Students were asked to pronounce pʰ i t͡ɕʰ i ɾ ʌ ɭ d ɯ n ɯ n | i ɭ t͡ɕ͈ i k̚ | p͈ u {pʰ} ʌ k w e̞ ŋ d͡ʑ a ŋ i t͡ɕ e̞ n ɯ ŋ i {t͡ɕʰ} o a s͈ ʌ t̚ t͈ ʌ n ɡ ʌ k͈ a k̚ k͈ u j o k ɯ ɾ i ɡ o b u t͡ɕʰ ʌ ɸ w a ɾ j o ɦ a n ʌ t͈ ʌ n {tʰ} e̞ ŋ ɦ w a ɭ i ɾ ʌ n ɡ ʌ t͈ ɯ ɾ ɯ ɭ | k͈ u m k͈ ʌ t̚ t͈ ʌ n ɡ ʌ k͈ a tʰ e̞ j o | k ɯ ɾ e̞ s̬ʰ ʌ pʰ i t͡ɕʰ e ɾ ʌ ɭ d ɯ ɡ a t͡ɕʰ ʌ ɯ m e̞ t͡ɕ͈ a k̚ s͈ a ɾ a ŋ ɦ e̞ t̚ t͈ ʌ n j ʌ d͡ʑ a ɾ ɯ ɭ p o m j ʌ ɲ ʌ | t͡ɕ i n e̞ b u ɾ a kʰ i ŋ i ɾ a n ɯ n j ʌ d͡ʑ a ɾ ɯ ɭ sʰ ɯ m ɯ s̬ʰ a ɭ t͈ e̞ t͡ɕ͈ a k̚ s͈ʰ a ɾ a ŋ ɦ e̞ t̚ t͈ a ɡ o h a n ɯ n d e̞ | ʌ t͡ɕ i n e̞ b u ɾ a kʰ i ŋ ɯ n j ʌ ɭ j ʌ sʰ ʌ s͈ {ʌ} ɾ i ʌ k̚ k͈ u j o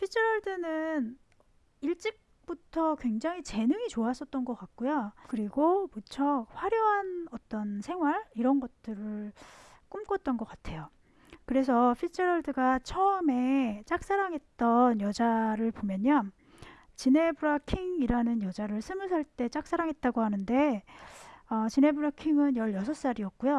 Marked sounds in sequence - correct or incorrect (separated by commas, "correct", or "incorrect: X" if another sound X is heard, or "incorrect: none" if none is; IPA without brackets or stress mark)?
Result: incorrect: tʰ, incorrect: t͡ɕ, incorrect: sʰ, incorrect: a